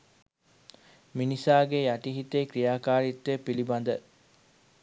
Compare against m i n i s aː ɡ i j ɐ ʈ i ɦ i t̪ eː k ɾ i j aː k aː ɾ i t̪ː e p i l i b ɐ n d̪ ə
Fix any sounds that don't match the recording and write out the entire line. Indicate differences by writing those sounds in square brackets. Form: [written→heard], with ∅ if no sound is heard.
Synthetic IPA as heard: m i n i s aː ɡ [i→e] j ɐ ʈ i ɦ i t̪ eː k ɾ i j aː k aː ɾ i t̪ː e p i l i b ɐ n d̪ ə